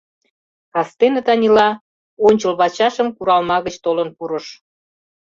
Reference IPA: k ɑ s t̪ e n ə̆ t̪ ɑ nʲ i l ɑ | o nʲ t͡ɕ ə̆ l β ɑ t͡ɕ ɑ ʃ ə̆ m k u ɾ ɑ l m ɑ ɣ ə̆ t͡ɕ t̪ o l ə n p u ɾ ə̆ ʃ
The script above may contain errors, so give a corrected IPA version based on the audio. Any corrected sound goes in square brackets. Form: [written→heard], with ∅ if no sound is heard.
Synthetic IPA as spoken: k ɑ s t̪ e n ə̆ t̪ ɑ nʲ i l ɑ | o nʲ t͡ɕ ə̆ l β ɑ t͡ɕ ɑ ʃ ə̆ m k u ɾ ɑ l m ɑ ɣ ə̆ t͡ɕ t̪ o l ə n p u ɾ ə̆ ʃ